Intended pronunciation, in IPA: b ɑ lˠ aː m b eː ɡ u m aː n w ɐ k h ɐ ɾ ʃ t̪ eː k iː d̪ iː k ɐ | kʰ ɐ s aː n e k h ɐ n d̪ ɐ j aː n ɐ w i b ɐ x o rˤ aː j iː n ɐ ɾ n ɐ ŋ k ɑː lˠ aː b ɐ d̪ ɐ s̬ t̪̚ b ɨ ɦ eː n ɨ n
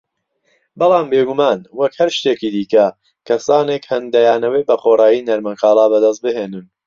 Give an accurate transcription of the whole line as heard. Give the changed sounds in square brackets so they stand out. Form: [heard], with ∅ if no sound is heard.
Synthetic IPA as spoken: b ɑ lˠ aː m b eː ɡ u m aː n w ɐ k h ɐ ɾ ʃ t̪ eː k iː d̪ iː k ɐ | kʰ ɐ s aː n e k h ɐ n d̪ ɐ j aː n ɐ w [e] b ɐ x o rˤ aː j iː n ɐ ɾ [m] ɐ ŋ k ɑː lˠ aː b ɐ d̪ ɐ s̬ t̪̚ b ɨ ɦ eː n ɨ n